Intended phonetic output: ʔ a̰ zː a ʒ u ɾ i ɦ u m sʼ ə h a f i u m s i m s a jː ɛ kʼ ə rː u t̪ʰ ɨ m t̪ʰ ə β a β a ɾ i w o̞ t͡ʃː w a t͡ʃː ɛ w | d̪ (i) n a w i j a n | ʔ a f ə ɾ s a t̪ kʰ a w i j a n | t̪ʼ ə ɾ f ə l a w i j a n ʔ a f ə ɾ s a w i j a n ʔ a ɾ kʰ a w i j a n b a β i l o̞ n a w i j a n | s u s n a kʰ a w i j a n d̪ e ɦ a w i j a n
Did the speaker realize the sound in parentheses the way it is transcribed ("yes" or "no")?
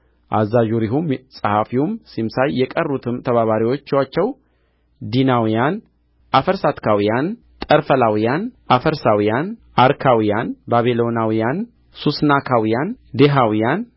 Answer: yes